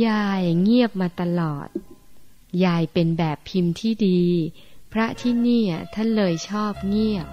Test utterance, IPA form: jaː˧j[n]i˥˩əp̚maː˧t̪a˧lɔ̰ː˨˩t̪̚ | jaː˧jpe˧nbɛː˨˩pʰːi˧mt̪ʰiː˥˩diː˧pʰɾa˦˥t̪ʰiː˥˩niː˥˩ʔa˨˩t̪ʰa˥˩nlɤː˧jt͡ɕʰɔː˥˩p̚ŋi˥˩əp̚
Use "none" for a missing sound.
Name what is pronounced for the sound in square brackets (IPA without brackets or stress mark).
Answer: ŋ